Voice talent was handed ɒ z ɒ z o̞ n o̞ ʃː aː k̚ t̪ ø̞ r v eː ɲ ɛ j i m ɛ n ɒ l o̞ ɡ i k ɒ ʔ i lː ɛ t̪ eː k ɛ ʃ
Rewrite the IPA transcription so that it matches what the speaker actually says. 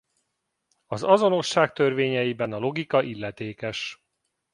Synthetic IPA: ɒ z ɒ z o̞ n o̞ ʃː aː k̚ t̪ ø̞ r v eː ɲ ɛ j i b ɛ n ɒ l o̞ ɡ i k ɒ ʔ i lː ɛ t̪ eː k ɛ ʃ